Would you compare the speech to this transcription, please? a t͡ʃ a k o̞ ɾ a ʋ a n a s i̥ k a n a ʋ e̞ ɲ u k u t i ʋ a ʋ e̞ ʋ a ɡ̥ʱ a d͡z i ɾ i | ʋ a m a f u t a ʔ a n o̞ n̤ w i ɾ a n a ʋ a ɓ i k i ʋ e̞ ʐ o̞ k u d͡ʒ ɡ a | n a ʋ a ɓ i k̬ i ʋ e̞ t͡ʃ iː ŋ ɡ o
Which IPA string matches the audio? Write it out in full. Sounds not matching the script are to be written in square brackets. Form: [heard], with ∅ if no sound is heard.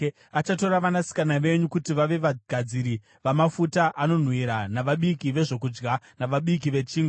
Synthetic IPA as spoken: a t͡ʃ a [t] o̞ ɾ a ʋ a n a s i̥ k a n a ʋ e̞ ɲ u k u t i ʋ a ʋ e̞ ʋ a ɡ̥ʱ a d͡z i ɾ i | ʋ a m a f u t a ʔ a n o̞ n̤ w i ɾ a n a ʋ a ɓ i k i ʋ e̞ ʐ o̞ k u d͡ʒ ɡ a | n a ʋ a ɓ i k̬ i ʋ e̞ t͡ʃ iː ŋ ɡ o